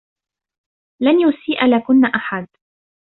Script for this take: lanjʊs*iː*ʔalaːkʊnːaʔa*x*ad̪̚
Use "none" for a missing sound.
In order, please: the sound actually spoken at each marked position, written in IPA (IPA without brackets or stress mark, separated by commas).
iː, ħ